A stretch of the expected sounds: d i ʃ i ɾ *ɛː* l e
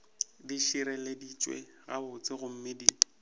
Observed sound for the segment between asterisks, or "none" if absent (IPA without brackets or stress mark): ɛ